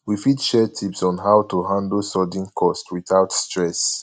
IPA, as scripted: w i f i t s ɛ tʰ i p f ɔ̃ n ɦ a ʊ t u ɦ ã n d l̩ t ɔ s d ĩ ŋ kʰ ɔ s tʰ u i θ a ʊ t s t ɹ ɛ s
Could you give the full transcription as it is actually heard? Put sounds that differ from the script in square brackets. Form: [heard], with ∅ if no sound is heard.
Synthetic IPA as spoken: w i f i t [ʃ] ɛ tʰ i p [s] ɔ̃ n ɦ a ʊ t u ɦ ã n d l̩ [s] ɔ [∅] d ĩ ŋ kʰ ɔ s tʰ [w] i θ a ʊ t s t ɹ ɛ s